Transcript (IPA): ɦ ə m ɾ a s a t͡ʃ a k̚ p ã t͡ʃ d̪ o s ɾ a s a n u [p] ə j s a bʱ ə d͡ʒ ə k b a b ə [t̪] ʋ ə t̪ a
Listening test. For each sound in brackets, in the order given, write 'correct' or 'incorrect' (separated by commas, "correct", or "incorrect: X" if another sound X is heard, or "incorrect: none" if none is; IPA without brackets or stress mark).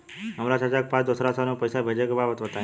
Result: correct, correct